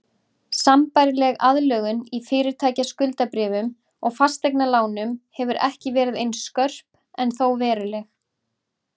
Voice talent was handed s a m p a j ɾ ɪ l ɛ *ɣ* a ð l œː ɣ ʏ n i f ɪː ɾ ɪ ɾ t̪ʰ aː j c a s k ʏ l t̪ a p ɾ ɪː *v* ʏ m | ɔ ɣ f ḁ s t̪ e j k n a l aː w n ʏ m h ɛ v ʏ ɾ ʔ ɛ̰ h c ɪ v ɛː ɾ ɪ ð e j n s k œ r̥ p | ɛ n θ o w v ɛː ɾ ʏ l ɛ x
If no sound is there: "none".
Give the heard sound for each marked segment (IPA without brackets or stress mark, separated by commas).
ɣ, v